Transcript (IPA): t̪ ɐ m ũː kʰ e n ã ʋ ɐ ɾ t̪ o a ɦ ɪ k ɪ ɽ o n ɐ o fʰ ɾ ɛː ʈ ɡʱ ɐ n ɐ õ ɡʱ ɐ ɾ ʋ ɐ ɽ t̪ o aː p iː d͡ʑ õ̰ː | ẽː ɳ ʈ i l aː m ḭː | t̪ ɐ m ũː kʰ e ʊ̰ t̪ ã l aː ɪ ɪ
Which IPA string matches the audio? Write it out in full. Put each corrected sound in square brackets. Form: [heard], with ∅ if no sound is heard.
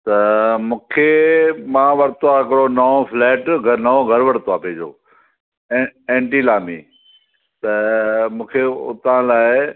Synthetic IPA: t̪ ɐ m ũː kʰ e [m] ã ʋ ɐ ɾ t̪ o a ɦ ɪ k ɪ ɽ o n ɐ o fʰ [l] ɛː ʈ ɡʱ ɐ n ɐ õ ɡʱ ɐ ɾ ʋ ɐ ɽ t̪ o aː p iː d͡ʑ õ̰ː | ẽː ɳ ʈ i l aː m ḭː | t̪ ɐ m ũː kʰ e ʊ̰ t̪ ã l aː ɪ ɪ